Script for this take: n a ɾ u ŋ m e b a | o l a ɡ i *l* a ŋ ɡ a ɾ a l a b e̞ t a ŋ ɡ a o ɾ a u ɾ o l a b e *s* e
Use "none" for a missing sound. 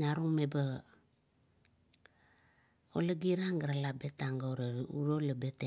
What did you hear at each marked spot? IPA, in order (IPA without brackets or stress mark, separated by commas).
ɾ, t